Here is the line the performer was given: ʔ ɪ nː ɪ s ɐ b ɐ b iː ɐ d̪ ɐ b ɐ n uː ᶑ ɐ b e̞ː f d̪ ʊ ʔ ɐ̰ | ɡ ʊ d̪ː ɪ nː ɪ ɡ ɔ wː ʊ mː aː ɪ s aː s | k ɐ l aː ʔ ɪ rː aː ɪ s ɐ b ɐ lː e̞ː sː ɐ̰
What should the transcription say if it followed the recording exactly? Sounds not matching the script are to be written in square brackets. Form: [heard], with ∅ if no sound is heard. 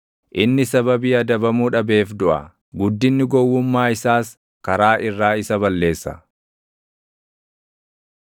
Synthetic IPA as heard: ʔ ɪ nː ɪ s ɐ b ɐ b iː ɐ d̪ ɐ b ɐ [m] uː ᶑ ɐ b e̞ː f d̪ ʊ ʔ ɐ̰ | ɡ ʊ d̪ː ɪ nː ɪ ɡ ɔ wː ʊ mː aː ɪ s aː s | k ɐ [ɾ] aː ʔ ɪ rː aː ɪ s ɐ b ɐ lː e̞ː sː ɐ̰